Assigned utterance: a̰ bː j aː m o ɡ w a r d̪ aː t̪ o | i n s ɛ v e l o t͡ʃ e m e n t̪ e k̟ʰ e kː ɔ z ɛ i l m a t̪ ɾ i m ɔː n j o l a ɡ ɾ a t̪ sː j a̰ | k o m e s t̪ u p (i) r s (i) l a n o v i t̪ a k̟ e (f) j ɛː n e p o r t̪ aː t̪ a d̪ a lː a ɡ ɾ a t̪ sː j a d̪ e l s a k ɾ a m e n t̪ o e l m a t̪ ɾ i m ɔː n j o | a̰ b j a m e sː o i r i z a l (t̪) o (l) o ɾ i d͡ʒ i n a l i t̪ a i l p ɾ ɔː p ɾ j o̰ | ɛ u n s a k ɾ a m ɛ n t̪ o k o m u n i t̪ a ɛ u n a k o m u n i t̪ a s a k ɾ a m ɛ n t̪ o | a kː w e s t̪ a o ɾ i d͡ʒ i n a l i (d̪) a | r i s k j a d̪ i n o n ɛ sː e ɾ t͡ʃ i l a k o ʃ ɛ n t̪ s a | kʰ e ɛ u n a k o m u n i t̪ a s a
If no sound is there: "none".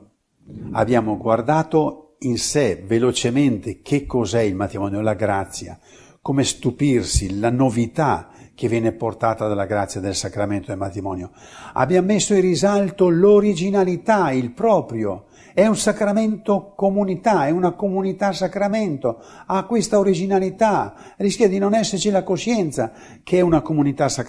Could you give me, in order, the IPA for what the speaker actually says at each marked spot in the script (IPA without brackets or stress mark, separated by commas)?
i, i, v, t̪, l, t̪